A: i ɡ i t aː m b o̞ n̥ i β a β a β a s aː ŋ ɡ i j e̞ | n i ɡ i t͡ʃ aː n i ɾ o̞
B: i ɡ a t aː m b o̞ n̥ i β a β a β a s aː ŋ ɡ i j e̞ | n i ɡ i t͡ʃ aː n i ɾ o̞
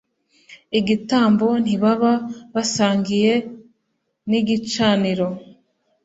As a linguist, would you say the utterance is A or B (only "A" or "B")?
A